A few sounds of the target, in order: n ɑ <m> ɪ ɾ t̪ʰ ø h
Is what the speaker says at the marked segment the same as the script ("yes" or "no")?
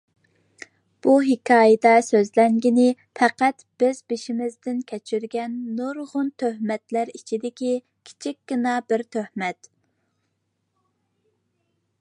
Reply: no